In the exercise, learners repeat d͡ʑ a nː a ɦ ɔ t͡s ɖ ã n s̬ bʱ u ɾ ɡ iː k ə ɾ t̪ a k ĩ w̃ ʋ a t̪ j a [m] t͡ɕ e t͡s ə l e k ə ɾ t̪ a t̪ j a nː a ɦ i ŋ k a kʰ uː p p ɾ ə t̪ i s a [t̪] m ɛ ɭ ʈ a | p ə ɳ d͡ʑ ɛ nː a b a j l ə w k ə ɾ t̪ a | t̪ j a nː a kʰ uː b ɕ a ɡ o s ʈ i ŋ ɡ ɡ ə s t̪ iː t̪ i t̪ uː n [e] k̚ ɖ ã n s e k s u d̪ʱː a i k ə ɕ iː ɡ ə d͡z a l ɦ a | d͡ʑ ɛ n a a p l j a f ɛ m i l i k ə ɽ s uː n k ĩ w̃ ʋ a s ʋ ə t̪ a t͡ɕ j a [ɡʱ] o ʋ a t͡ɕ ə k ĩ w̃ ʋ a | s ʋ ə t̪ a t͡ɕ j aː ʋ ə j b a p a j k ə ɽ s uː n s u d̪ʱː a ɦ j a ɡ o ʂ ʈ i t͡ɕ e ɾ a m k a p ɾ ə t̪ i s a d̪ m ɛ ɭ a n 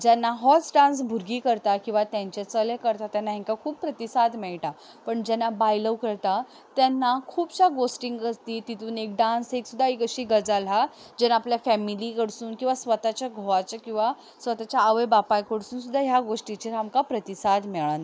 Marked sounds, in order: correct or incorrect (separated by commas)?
incorrect, incorrect, correct, correct